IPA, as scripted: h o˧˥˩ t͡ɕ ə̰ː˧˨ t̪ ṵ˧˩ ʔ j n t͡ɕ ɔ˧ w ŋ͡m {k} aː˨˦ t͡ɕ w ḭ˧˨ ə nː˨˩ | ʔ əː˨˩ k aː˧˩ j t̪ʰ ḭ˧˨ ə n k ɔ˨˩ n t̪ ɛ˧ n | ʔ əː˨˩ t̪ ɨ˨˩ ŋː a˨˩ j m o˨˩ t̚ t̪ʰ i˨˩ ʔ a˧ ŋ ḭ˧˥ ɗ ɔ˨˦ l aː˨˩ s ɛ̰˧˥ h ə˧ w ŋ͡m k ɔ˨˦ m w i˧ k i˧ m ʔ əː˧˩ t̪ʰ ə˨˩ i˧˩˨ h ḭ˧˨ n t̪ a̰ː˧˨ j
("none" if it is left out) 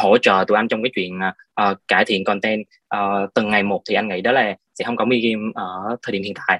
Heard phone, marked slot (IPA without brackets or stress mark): k